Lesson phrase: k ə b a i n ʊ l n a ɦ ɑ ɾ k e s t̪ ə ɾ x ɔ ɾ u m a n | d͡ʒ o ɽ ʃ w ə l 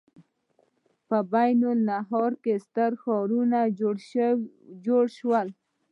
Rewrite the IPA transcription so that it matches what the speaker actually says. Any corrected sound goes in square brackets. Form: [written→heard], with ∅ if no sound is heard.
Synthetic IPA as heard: [k→p] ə b a [i→j] n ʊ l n a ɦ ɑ ɾ k e s t̪ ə ɾ x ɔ ɾ u [m→n] a [n→∅] | d͡ʒ o ɽ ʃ w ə l